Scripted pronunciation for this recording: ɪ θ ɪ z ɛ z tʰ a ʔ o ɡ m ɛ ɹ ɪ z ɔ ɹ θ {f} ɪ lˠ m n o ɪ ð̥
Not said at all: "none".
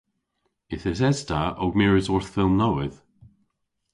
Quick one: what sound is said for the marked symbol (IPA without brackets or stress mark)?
f